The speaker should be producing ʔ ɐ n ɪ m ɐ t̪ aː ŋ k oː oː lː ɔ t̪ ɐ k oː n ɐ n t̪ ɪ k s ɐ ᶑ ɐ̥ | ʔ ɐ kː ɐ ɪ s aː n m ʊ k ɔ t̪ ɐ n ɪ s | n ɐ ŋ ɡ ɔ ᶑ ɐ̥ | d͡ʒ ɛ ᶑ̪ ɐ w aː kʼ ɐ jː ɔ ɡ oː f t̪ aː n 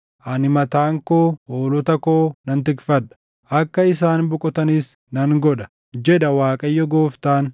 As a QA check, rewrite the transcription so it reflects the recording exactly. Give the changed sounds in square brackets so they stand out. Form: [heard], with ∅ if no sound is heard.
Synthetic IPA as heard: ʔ ɐ n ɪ m ɐ t̪ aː ŋ k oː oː [l] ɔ t̪ ɐ k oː n ɐ n t̪ ɪ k [f] ɐ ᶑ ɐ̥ | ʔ ɐ kː ɐ ɪ s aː n [b] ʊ [kʼ] ɔ t̪ ɐ n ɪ s | n ɐ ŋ ɡ ɔ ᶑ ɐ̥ | d͡ʒ ɛ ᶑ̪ ɐ w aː kʼ ɐ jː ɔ ɡ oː f t̪ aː n